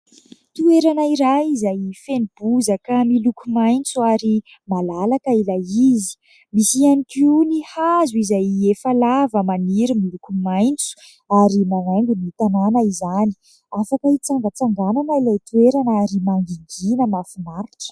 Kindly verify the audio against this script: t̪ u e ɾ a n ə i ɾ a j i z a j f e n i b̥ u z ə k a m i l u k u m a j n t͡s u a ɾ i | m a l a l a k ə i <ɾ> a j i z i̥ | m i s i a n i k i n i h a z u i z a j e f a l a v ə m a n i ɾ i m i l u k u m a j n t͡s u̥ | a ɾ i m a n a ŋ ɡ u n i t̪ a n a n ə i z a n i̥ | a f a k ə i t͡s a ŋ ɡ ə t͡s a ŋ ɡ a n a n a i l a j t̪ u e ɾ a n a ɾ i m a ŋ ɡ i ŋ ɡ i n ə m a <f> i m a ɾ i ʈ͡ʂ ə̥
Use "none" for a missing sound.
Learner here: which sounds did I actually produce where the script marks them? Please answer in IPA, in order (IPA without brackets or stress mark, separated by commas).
l, f